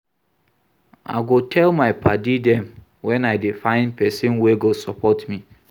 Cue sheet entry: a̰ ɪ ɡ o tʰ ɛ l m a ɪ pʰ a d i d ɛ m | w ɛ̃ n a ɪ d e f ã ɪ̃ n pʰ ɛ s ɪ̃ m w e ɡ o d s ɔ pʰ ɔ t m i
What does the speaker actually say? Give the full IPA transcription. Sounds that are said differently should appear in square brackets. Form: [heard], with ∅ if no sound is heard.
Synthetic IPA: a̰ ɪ ɡ o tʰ ɛ l m a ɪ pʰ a d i d ɛ m | w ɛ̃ n a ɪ d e f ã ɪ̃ n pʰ ɛ s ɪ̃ [n] w e ɡ o [∅] s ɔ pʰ ɔ t m i